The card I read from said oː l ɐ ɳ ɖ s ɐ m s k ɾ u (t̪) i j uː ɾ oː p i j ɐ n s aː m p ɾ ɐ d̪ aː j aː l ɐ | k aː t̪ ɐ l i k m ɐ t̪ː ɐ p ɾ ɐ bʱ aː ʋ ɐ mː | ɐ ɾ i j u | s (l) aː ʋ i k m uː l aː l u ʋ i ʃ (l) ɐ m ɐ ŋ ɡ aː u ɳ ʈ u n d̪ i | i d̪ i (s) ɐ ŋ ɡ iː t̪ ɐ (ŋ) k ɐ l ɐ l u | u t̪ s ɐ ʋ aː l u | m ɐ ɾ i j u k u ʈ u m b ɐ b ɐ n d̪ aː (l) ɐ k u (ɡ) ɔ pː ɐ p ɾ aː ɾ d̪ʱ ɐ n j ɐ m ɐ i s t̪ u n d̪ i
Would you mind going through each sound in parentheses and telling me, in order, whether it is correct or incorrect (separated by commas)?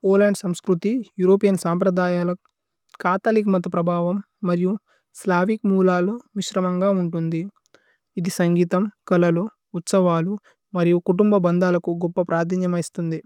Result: correct, correct, incorrect, correct, incorrect, correct, correct